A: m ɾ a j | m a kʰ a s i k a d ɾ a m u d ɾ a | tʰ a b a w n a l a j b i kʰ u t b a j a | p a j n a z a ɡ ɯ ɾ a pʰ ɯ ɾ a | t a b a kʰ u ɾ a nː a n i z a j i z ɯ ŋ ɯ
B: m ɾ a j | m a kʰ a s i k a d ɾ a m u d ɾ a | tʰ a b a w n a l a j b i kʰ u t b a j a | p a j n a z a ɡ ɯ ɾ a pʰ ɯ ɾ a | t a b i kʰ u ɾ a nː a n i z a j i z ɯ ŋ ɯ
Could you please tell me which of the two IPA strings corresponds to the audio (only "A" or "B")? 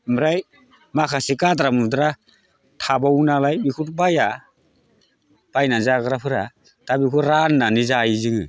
B